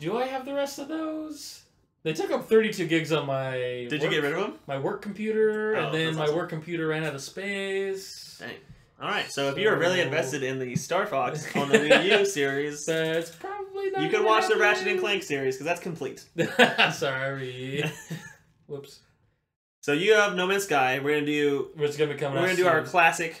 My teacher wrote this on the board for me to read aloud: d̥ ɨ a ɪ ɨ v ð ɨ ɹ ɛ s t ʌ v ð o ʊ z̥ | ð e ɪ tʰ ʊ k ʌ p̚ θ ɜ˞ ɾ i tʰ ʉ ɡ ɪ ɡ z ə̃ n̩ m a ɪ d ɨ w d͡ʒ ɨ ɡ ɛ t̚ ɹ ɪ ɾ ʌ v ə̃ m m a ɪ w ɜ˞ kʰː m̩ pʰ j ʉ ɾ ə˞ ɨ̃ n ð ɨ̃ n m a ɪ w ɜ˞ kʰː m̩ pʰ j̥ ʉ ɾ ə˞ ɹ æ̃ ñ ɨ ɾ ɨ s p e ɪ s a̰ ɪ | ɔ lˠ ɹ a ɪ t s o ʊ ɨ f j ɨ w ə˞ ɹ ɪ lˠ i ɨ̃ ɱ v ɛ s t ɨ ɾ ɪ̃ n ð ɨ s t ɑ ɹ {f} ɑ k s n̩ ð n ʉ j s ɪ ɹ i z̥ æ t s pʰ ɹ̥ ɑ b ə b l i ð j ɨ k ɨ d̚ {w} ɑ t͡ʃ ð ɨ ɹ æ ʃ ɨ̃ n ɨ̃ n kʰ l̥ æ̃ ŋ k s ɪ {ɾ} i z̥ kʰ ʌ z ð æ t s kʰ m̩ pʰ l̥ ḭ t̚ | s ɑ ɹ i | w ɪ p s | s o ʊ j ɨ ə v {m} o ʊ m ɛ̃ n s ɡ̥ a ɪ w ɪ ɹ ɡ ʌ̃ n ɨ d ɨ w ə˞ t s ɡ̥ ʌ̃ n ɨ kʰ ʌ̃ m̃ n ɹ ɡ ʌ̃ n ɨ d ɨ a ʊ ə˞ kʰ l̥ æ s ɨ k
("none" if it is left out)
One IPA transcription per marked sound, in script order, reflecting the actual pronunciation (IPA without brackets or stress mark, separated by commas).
f, w, ɹ, n